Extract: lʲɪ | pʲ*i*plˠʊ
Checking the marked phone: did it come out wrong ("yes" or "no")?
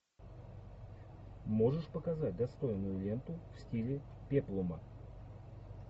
yes